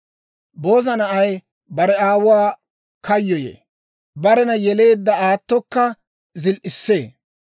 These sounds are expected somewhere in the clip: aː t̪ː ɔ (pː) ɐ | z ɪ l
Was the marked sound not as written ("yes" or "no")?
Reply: yes